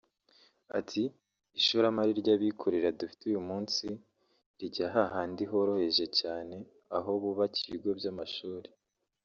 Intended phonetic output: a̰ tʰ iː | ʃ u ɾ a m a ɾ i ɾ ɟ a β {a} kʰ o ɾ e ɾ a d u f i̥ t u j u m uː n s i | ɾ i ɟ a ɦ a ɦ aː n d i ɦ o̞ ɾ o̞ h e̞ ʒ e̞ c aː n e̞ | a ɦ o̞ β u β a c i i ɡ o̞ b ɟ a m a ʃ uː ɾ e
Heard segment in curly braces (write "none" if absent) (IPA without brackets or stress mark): i